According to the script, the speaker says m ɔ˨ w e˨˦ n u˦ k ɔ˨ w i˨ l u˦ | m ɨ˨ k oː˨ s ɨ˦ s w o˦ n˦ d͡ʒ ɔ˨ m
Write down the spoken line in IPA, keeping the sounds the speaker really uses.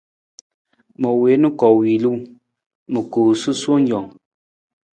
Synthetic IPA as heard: m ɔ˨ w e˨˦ n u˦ k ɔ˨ w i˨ l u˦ | m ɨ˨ k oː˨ s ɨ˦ s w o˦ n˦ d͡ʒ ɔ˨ ŋ